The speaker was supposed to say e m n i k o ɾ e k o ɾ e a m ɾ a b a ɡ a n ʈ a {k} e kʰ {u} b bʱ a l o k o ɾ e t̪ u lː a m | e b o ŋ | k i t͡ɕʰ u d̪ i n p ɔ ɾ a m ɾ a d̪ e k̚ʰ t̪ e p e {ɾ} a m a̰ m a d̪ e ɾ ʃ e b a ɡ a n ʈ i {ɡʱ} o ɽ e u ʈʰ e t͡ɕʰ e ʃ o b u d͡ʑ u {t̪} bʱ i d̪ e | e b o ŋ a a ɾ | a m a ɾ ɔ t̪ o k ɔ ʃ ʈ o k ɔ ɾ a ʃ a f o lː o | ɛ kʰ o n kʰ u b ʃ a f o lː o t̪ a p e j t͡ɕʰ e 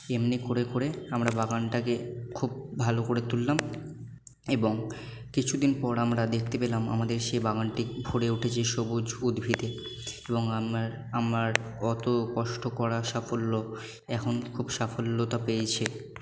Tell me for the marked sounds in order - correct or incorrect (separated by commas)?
correct, correct, incorrect, incorrect, incorrect